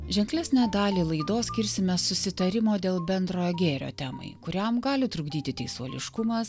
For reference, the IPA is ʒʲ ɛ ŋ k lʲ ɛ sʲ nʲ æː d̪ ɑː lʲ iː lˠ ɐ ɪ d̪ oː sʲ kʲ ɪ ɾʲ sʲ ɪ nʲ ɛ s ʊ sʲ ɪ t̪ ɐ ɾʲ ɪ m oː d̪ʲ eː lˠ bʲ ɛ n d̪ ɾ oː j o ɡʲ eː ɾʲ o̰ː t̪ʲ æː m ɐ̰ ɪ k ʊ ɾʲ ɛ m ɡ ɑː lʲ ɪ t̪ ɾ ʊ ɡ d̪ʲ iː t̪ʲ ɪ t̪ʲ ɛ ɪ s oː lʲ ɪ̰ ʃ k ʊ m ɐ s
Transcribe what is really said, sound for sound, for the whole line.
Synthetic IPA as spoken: ʒʲ ɛ ŋ k lʲ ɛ sʲ nʲ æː d̪ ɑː lʲ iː lˠ ɐ ɪ d̪ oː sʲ kʲ ɪ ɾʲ sʲ ɪ mʲ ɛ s ʊ sʲ ɪ t̪ ɐ ɾʲ ɪ m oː d̪ʲ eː lˠ bʲ ɛ n d̪ ɾ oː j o ɡʲ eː ɾʲ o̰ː t̪ʲ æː m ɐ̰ ɪ k ʊ ɾʲ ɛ m ɡ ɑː lʲ ɪ t̪ ɾ ʊ ɡ d̪ʲ iː t̪ʲ ɪ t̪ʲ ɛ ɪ s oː lʲ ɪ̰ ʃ k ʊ m ɐ s